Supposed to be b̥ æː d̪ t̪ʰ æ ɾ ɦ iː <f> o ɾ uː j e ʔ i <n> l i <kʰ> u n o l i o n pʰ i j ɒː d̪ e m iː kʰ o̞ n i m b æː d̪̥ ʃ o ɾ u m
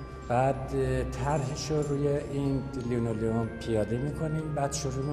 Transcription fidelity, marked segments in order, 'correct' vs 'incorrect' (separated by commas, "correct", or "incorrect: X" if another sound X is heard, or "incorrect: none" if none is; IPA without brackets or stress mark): incorrect: ʃ, correct, incorrect: none